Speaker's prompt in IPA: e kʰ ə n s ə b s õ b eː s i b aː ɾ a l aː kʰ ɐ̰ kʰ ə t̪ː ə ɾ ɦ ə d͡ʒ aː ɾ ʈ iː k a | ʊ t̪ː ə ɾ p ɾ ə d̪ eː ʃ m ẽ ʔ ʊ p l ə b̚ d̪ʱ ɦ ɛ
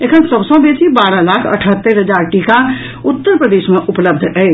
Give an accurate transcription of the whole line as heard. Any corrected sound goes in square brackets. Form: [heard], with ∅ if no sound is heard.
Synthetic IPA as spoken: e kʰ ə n s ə b s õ b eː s i b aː ɾ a l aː kʰ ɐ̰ [ʈʰ] ə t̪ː ə ɾ ɦ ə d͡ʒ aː ɾ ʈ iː k a | ʊ t̪ː ə ɾ p ɾ ə d̪ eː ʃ m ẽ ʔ ʊ p l ə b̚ d̪ʱ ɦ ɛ

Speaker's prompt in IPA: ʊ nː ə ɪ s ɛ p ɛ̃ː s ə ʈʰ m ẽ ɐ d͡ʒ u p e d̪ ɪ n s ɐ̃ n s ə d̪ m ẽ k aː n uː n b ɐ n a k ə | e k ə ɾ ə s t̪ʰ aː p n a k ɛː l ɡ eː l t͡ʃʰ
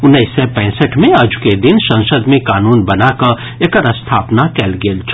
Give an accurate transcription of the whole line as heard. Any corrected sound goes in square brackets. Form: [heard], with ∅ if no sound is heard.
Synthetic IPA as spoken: ʊ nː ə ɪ s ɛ p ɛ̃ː s ə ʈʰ m ẽ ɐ d͡ʒ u [k] e d̪ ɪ n s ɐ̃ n s ə d̪ m ẽ k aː n uː n b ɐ n a k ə | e k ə ɾ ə s t̪ʰ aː p n a k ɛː l ɡ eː l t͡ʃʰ

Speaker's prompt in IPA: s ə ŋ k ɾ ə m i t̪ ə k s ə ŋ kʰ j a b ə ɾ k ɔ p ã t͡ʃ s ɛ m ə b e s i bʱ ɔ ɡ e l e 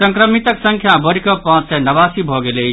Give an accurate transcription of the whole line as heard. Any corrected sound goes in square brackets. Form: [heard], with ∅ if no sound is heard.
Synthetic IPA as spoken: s ə ŋ k ɾ ə m i t̪ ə k s ə ŋ kʰ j a b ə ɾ k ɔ p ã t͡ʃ s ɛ [n] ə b [a] s i bʱ ɔ ɡ e l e

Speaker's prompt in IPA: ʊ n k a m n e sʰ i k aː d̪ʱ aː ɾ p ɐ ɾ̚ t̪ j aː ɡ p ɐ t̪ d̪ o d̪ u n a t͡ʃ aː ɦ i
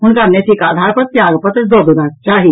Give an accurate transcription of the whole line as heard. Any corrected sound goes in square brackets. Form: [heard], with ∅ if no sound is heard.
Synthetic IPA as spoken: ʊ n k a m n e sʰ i k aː d̪ʱ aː ɾ p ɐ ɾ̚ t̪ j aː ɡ p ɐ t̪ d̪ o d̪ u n a t͡ʃ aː ɦ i

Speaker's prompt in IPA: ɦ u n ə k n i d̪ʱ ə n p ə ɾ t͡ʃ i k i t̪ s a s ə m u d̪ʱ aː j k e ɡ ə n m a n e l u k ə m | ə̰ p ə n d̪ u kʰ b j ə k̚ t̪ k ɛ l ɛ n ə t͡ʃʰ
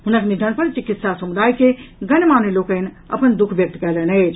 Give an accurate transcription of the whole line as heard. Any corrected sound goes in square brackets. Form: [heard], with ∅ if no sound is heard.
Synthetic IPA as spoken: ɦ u n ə k n i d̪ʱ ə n p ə ɾ t͡ʃ i k i t̪ s a s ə m u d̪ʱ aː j k e ɡ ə n m a n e l [o] k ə [n] | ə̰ p ə n d̪ u kʰ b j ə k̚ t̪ k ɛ l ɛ n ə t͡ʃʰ

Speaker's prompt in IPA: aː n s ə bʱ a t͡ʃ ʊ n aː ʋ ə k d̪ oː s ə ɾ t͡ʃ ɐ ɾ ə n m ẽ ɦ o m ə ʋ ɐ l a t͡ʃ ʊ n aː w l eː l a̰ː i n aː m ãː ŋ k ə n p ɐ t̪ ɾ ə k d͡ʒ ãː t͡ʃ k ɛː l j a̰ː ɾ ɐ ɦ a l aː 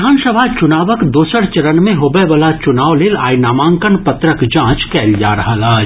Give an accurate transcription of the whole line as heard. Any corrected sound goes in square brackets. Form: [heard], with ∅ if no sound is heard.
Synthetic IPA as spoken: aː n s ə bʱ a t͡ʃ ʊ n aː ʋ ə k d̪ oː s ə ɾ t͡ʃ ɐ ɾ ə n m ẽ ɦ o [b] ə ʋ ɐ l a t͡ʃ ʊ n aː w l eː l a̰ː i n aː m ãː ŋ k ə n p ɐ t̪ ɾ ə k d͡ʒ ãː t͡ʃ k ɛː l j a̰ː ɾ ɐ ɦ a l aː

